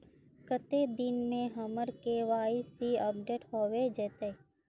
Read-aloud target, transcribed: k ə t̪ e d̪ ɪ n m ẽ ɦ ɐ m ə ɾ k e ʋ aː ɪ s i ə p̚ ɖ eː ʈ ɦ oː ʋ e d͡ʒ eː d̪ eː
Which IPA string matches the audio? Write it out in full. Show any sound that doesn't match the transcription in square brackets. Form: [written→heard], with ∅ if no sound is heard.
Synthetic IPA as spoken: k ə t̪ e d̪ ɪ n m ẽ ɦ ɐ m ə ɾ k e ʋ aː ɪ s i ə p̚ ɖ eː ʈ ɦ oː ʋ e d͡ʒ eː [d̪→t̪] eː